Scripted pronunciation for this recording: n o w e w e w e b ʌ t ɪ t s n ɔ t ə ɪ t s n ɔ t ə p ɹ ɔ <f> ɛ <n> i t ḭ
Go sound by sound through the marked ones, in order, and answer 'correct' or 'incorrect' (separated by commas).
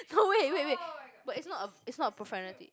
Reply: correct, correct